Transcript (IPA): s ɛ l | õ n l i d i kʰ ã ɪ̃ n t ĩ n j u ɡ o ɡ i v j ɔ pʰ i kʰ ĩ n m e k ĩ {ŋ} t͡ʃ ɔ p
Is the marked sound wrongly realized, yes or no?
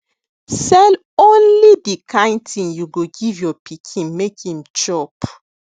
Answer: yes